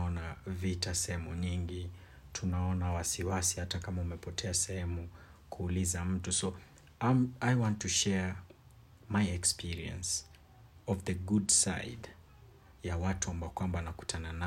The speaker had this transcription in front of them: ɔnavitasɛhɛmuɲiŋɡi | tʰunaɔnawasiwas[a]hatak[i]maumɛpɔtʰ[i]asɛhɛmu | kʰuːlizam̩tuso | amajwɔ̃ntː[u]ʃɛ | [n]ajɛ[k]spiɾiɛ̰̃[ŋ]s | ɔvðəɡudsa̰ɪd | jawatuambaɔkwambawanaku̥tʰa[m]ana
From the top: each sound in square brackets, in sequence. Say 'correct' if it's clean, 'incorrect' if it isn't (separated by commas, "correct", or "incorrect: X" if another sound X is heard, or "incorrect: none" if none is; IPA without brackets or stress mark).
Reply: incorrect: i, incorrect: a, incorrect: ɛ, correct, incorrect: m, correct, incorrect: n, incorrect: n